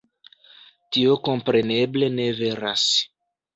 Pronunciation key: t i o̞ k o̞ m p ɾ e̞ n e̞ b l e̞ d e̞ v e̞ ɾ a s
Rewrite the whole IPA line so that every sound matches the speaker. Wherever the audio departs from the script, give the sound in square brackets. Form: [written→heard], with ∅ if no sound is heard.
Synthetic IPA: t i o̞ k o̞ m p ɾ e̞ n e̞ b l e̞ [d→n] e̞ v e̞ ɾ a s